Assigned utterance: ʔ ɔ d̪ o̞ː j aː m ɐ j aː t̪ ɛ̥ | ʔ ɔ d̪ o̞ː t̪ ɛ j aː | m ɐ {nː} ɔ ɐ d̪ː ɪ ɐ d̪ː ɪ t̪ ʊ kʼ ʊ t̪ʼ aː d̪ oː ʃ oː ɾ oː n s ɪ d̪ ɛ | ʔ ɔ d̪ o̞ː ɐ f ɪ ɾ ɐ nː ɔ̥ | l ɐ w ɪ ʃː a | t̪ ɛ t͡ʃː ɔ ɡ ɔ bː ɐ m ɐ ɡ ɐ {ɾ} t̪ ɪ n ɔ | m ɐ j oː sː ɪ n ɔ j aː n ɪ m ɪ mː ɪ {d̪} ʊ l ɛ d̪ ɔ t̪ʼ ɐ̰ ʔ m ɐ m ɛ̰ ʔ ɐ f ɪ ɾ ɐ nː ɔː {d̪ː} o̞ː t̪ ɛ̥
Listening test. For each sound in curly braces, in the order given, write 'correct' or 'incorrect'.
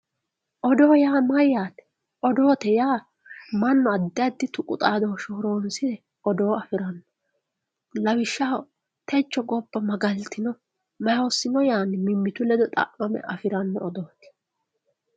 correct, incorrect: l, incorrect: t̪, incorrect: d̪

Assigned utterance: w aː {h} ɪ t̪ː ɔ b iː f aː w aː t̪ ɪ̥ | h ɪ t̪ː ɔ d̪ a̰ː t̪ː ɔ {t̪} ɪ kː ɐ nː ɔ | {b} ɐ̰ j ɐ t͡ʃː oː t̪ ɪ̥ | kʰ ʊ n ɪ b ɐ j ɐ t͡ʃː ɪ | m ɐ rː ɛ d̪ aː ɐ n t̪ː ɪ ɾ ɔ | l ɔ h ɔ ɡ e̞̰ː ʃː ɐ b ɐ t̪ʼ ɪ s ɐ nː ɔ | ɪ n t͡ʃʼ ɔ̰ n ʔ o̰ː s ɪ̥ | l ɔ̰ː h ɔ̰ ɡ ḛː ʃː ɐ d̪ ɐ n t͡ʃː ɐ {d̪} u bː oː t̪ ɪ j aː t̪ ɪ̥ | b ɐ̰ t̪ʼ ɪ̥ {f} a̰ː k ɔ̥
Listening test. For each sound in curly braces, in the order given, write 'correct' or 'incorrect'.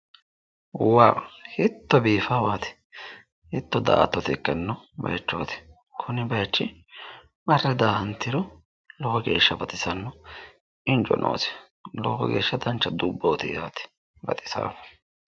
correct, correct, correct, correct, incorrect: s

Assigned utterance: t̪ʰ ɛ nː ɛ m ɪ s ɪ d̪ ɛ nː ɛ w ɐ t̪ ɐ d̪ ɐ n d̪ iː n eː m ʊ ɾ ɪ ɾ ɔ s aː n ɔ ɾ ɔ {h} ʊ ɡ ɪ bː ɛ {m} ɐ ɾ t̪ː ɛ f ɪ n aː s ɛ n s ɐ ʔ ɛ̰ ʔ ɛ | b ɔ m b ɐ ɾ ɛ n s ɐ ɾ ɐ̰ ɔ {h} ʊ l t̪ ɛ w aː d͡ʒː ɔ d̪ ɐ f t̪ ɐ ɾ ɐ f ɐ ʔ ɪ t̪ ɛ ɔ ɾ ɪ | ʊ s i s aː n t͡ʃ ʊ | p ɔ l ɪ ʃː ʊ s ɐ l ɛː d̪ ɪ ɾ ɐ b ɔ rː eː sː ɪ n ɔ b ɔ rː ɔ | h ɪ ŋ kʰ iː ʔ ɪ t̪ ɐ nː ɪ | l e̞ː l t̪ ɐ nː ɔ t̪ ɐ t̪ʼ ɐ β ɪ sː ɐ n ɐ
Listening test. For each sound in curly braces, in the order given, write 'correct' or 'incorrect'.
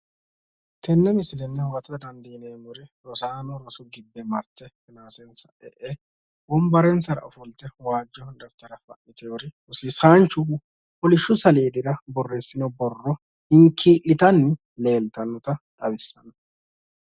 incorrect: s, correct, incorrect: f

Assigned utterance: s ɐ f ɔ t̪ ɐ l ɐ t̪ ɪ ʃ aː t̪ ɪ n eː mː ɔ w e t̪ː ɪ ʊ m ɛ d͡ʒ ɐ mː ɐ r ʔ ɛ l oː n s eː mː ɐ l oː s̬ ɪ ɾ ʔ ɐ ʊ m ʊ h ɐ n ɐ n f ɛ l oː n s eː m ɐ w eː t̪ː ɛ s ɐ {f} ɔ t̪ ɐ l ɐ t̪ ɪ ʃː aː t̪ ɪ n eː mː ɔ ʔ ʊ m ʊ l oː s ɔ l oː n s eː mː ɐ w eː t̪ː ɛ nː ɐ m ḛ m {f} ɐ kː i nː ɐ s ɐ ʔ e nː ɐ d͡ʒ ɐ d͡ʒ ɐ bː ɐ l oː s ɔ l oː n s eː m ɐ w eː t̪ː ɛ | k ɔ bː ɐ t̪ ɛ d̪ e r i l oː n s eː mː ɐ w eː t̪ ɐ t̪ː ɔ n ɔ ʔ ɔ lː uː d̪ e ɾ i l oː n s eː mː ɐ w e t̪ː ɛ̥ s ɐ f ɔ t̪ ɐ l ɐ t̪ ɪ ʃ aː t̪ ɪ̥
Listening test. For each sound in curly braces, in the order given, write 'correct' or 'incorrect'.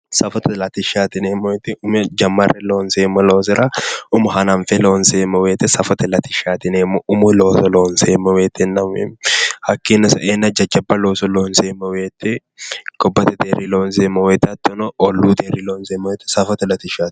correct, incorrect: h

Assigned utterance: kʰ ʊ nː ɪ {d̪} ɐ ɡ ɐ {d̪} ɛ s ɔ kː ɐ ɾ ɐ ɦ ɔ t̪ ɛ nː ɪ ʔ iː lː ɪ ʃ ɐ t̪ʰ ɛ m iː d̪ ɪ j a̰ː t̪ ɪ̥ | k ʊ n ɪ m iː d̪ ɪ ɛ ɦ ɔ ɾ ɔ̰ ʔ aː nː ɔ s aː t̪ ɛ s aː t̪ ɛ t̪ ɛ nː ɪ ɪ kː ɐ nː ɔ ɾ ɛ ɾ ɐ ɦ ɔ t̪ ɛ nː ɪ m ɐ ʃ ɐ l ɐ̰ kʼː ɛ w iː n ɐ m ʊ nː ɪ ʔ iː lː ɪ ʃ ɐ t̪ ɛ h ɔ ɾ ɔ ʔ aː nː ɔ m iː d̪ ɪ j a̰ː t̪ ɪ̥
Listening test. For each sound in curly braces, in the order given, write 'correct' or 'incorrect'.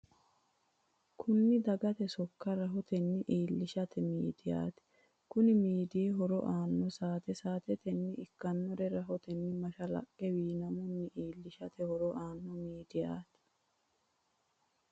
correct, incorrect: t̪

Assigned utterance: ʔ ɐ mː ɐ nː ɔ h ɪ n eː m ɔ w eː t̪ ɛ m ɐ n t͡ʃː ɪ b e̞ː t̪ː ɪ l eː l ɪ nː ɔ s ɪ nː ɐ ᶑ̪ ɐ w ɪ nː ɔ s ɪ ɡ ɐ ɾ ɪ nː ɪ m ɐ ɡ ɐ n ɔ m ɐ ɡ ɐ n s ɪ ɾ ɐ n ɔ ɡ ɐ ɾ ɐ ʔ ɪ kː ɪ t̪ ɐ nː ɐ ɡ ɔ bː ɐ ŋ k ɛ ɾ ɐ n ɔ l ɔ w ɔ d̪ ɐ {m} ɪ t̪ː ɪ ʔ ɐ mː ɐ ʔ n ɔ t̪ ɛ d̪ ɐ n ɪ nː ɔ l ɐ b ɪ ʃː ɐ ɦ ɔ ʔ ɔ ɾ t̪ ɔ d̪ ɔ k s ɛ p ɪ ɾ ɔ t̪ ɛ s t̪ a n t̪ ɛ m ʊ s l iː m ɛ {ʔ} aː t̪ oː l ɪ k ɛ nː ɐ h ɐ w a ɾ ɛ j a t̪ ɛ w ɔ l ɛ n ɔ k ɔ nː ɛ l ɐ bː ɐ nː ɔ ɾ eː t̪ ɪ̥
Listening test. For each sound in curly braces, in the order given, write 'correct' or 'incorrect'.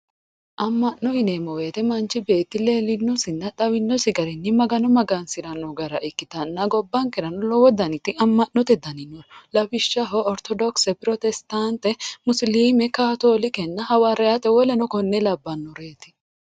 incorrect: n, incorrect: k

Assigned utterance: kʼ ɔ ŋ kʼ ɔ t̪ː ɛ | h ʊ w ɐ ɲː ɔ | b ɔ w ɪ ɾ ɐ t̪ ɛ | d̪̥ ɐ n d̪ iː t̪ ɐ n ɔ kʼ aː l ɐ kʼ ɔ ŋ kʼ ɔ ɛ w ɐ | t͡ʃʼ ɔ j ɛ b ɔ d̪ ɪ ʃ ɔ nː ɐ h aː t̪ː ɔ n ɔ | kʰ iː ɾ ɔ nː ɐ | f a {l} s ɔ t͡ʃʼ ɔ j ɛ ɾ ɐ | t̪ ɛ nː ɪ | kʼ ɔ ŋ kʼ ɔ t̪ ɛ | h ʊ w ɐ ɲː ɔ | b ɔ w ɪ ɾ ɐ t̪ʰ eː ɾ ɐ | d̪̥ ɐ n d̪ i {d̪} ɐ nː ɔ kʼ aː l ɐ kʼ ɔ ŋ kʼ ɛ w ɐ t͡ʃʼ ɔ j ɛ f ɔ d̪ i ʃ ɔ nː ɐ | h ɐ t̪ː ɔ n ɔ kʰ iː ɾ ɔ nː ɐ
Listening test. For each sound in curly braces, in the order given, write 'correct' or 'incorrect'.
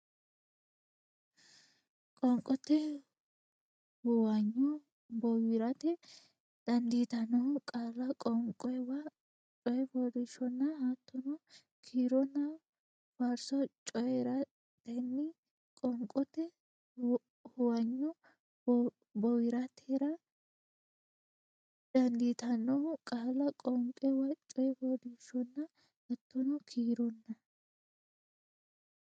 incorrect: ɾ, incorrect: t̪

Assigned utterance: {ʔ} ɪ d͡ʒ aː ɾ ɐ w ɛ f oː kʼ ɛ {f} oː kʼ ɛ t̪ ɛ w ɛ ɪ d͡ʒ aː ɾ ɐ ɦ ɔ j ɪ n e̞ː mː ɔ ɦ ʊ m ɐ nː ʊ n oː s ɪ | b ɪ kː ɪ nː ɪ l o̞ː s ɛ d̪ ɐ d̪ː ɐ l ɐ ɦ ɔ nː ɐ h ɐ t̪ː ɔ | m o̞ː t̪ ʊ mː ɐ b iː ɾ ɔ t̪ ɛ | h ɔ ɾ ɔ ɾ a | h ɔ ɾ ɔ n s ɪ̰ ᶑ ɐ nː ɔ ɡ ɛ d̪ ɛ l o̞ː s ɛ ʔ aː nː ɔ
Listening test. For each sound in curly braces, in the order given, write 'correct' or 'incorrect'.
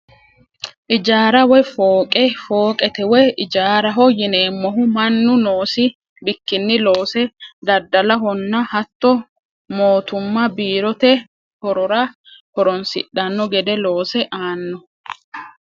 correct, correct

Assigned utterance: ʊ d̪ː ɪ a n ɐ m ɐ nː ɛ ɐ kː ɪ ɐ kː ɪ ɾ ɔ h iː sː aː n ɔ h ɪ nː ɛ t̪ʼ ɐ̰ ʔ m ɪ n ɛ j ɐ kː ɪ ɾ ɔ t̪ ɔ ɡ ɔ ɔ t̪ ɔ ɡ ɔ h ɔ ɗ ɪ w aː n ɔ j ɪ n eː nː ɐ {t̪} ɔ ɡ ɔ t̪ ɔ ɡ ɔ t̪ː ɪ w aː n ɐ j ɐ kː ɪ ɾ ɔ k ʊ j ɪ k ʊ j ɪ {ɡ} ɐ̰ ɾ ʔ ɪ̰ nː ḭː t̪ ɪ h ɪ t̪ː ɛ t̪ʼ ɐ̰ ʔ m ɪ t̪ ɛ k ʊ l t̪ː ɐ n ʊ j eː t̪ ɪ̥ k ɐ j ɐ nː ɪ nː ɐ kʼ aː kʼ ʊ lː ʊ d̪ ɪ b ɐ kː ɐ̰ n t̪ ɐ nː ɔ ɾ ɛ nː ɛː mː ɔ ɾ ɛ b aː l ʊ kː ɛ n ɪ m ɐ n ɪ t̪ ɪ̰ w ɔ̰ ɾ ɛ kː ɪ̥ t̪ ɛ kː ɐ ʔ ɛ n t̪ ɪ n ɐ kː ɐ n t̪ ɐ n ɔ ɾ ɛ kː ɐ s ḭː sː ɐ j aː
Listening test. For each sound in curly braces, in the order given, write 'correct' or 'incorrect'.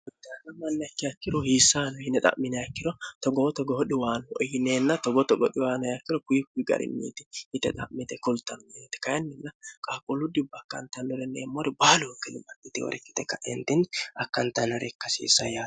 correct, correct

